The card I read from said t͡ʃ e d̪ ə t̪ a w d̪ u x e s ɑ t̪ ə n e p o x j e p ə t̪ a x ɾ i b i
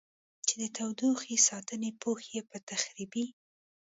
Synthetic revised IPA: t͡ʃ e d̪ ə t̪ a w d̪ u x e s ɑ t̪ ə n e p o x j e p ə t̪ a x ɾ i b i